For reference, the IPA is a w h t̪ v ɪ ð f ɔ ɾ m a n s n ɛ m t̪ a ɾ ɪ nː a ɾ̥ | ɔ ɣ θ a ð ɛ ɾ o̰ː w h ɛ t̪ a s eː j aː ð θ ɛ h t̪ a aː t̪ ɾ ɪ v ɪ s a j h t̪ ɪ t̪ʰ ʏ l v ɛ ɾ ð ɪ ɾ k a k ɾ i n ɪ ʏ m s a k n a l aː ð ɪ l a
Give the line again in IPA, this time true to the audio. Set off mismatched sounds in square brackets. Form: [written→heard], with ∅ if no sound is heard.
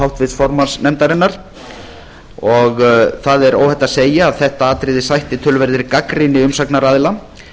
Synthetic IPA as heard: a w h t̪ v ɪ ð f ɔ ɾ m a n s n ɛ m t̪ a ɾ ɪ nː a ɾ̥ | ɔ ɣ θ a ð ɛ ɾ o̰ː w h ɛ t̪ a s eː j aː ð θ ɛ h t̪ a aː t̪ ɾ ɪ [v→ð] ɪ s a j h t̪ ɪ t̪ʰ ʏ l v ɛ ɾ ð ɪ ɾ k a k ɾ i n ɪ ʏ m s a k n a [l→ɾ] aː ð ɪ l a